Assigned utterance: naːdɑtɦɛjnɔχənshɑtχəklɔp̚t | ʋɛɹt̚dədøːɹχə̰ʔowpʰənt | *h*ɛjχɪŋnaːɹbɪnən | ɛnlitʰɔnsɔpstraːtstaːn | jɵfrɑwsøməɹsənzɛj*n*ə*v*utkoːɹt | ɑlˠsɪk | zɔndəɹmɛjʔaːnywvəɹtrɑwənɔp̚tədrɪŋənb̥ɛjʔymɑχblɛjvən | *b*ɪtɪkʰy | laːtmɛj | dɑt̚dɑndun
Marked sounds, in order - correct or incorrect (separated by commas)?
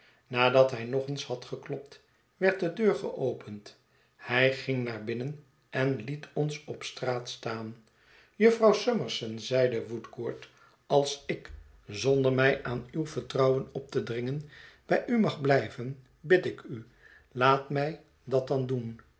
correct, incorrect, incorrect, correct